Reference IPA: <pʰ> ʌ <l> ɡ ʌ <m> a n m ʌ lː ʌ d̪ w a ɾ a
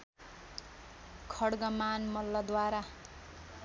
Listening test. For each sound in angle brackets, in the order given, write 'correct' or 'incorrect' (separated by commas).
incorrect, incorrect, correct